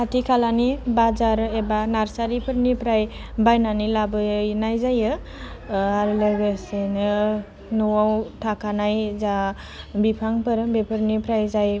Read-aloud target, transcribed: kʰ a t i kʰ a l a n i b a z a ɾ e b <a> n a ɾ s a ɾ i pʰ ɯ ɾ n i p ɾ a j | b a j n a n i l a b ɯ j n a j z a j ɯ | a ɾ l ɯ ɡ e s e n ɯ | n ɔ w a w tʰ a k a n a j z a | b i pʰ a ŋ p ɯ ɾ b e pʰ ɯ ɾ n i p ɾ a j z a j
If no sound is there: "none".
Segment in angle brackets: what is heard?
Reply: a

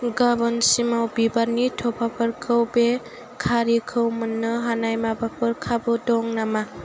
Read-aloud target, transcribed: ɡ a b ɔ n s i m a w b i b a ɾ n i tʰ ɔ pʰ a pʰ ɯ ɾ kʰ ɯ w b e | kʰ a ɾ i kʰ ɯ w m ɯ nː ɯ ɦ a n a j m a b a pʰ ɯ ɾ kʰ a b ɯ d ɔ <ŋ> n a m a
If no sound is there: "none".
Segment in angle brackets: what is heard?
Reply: ŋ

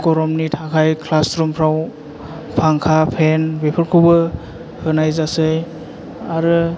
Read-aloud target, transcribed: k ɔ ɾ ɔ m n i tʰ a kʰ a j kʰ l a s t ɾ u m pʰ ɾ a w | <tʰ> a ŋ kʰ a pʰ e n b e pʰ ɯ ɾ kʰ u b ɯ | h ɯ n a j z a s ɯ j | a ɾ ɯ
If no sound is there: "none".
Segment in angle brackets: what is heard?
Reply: pʰ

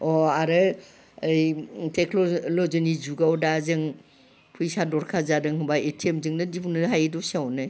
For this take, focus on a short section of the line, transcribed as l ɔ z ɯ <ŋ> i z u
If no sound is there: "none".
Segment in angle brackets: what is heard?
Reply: n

